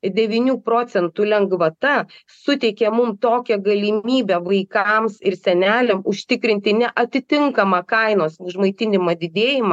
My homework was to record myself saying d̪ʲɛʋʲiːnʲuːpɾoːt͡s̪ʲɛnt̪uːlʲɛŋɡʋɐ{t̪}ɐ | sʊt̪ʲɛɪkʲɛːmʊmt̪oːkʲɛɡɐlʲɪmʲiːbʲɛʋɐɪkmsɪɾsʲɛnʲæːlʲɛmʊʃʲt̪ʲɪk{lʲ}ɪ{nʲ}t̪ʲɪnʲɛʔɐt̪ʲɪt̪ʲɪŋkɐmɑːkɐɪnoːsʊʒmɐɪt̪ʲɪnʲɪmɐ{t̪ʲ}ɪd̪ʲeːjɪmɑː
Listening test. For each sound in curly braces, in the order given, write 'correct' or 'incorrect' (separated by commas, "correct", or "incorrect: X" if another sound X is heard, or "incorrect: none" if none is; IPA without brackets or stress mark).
correct, incorrect: ɾʲ, correct, incorrect: d̪ʲ